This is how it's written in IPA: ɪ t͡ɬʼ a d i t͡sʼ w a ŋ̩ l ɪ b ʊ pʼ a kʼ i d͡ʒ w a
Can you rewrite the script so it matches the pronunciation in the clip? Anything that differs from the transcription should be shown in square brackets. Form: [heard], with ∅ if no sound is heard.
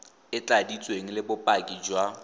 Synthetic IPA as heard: ɪ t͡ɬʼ a d i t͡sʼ w [e] ŋ̩ l ɪ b ʊ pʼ a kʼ i d͡ʒ w a

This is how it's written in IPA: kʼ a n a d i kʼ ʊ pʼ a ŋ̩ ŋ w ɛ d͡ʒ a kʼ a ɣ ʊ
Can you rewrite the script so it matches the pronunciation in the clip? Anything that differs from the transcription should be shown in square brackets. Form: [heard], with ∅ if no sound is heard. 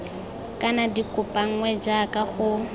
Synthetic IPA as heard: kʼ a n a d i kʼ ʊ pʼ a ŋ̩ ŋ w ɛ d͡ʒ a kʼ a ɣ ʊ

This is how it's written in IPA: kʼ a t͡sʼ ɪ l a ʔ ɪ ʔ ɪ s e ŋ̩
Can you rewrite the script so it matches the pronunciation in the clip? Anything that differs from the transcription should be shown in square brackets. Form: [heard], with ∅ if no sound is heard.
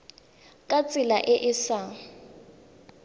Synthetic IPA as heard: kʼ a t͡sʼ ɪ l a ʔ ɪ ʔ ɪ s [a] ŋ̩

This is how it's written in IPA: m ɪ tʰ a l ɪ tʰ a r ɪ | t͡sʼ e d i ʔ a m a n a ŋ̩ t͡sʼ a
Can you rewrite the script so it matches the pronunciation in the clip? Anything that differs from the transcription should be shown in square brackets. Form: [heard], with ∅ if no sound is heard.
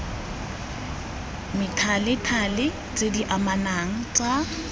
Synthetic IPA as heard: m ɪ tʰ a l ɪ tʰ a [l] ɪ | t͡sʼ e d i ʔ a m a n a ŋ̩ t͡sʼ a

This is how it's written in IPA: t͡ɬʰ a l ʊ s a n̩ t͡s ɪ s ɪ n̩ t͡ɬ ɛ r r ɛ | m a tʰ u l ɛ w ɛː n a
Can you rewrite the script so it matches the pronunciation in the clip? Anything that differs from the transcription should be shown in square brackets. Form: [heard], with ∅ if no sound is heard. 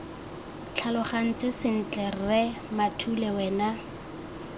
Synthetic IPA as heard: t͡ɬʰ a l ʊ [χ] a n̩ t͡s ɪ s ɪ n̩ t͡ɬ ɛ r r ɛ | m a tʰ u l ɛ w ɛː n a

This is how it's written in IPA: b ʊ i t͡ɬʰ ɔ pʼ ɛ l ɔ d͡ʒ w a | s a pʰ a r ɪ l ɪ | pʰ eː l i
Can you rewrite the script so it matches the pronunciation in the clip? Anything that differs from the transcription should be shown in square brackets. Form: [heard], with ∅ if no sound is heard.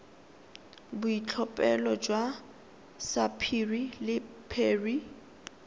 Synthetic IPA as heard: b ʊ i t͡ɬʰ ɔ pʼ ɛ l ɔ d͡ʒ w a | s a pʰ [i] r [i] l ɪ | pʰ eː [r] i

